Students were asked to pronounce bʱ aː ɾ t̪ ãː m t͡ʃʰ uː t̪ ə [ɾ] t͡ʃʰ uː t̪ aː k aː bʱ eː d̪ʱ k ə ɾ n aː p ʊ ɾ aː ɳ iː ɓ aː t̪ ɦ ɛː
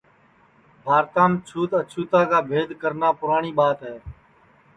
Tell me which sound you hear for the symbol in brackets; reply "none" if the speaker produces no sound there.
none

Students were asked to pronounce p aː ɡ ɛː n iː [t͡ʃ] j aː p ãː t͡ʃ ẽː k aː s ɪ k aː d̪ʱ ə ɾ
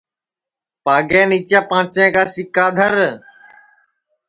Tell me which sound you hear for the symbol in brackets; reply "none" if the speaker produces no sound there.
t͡ʃ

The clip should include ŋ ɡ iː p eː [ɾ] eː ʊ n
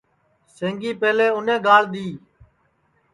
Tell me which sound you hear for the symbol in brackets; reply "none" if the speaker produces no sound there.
l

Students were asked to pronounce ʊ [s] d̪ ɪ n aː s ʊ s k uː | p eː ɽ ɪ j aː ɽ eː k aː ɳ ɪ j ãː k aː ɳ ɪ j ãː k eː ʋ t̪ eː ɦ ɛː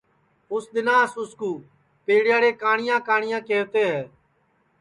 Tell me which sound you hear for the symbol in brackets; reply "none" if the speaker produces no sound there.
s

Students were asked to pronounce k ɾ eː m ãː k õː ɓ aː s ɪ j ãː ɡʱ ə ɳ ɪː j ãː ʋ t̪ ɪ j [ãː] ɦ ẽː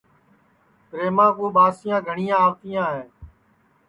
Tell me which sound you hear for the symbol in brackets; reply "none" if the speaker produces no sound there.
ãː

